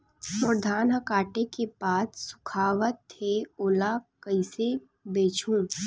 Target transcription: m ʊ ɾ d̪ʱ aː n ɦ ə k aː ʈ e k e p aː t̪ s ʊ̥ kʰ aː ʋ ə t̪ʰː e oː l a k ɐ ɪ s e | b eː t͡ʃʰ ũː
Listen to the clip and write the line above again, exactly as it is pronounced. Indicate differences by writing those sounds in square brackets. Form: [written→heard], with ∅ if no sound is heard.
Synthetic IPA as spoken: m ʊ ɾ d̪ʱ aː n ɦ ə k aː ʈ e k e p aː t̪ s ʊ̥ kʰ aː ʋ ə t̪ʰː e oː l a k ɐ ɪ s e | b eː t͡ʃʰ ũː